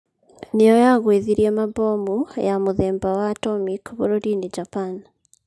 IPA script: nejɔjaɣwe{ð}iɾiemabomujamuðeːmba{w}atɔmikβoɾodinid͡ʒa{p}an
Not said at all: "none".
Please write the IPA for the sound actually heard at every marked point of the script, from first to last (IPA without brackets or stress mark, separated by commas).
ð, w, p